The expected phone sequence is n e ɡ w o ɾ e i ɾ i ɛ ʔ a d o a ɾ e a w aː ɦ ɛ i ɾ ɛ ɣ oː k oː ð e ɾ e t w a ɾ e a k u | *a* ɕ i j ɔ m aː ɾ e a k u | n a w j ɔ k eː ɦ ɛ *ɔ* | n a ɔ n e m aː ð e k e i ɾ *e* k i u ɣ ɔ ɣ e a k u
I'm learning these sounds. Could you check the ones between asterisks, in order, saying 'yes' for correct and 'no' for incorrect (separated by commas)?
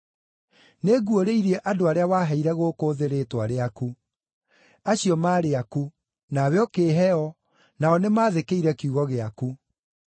yes, yes, no